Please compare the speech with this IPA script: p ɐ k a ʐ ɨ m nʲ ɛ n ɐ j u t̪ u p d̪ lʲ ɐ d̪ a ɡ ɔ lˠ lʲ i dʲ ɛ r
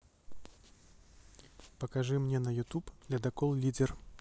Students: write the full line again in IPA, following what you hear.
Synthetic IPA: p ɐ k a ʐ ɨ m nʲ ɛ n ɐ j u t̪ u p d̪ lʲ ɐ d̪ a k ɔ lˠ lʲ i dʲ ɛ r